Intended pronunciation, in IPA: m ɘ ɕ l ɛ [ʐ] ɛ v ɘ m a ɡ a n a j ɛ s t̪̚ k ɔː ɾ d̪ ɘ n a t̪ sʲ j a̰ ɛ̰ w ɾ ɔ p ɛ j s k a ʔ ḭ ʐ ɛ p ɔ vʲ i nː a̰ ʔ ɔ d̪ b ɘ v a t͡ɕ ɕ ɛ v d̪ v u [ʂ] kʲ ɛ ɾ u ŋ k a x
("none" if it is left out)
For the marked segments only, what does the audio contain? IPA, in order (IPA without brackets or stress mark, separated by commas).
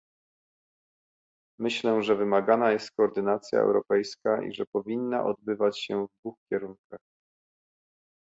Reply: ʐ, x